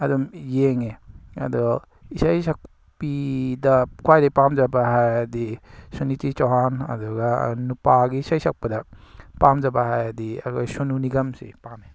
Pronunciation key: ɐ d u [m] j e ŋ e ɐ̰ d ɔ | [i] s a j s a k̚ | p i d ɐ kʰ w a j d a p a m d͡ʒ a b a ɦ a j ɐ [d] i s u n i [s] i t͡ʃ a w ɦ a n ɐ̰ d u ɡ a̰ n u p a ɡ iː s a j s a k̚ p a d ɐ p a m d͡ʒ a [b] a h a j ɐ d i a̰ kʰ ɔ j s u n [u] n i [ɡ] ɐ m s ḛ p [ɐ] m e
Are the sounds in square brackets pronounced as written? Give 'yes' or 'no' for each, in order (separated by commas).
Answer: yes, yes, yes, no, yes, yes, yes, no